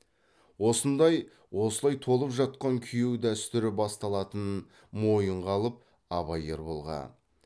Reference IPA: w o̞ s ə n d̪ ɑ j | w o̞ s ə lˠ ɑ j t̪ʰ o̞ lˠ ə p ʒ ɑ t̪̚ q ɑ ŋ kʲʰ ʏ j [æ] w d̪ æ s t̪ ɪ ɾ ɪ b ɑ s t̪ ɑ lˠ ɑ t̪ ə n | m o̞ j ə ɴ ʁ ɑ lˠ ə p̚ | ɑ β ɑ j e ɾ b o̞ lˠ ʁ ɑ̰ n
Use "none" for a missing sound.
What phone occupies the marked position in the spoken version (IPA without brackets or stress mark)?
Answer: e